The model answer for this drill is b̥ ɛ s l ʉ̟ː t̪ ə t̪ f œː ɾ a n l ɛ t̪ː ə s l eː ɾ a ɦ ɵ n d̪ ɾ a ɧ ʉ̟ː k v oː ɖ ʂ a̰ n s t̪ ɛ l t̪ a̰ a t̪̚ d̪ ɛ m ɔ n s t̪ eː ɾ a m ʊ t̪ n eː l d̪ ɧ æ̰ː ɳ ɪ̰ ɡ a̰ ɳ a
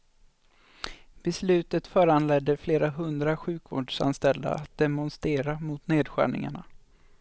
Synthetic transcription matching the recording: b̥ ɛ s l ʉ̟ː t̪ ə t̪ f œː ɾ a n l ɛ d̪ː ə f l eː ɾ a ɦ ɵ n d̪ ɾ a ɧ ʉ̟ː k v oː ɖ ʂ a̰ n s t̪ ɛ l d̪ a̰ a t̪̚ d̪ ɛ m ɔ n s t̪ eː ɾ a m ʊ t̪ n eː d̪ ɧ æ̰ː ɳ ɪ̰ ŋ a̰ ɳ a